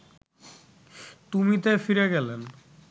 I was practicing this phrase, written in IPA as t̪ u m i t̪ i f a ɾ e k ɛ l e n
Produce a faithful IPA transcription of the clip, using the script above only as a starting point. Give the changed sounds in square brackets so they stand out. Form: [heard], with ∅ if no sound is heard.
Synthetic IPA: t̪ u m i t̪ [e] f [i] ɾ e [ɡ] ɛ l e n